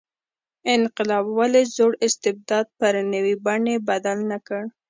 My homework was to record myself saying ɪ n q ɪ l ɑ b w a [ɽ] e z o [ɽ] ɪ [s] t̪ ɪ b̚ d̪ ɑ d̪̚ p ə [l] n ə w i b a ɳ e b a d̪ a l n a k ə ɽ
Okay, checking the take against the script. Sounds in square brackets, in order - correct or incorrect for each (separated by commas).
incorrect, correct, correct, incorrect